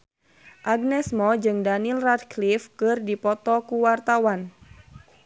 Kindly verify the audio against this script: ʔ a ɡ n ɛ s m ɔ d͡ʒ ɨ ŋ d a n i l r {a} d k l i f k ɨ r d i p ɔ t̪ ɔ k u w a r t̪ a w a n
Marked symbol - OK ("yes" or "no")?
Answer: yes